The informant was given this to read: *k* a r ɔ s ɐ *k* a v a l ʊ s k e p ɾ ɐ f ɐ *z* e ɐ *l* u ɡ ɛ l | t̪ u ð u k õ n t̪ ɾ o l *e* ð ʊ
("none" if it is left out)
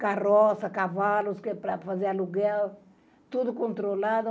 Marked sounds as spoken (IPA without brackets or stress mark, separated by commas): k, k, z, l, a